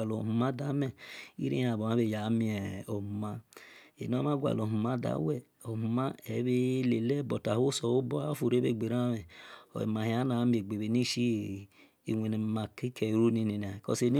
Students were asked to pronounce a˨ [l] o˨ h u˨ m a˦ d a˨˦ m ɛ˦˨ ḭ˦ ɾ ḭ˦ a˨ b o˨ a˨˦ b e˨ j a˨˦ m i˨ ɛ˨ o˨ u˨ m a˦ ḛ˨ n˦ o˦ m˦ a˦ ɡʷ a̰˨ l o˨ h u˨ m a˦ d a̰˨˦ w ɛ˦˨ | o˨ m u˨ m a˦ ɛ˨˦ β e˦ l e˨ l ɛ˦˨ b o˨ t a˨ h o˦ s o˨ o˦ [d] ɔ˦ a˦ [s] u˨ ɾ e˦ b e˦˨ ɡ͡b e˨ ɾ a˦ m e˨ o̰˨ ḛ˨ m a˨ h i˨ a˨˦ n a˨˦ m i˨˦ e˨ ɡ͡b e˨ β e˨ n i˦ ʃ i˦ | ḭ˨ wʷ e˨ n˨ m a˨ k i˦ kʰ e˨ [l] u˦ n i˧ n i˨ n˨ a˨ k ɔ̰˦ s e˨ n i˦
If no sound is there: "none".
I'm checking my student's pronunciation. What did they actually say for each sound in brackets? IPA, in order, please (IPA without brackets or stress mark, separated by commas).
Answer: l, b, f, ɾ